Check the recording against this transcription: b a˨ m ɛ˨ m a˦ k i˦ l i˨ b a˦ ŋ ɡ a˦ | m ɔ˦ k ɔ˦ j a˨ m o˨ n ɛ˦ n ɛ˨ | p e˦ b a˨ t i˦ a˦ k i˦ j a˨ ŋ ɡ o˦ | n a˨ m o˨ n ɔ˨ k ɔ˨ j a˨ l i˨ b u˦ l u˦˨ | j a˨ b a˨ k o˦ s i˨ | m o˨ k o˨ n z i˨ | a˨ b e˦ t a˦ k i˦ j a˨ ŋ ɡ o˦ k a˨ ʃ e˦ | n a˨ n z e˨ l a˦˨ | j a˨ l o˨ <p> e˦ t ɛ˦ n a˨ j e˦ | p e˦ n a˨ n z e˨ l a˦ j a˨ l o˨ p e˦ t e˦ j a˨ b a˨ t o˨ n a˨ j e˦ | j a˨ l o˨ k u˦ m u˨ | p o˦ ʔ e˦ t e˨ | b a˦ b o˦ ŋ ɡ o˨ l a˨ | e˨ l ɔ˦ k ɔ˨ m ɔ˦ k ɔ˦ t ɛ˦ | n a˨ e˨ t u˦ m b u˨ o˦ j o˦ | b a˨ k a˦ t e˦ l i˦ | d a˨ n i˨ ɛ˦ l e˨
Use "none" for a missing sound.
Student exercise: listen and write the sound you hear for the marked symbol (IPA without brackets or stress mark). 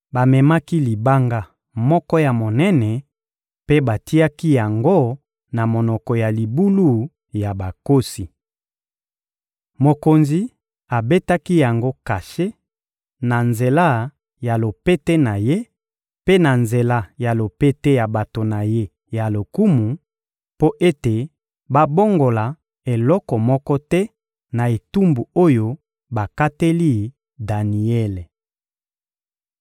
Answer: p